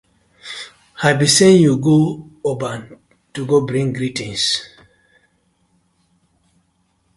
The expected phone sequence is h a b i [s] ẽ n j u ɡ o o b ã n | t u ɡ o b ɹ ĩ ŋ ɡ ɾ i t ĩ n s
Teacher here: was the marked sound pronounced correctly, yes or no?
yes